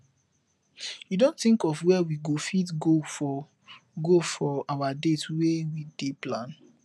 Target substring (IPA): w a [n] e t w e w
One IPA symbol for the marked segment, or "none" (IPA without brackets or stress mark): d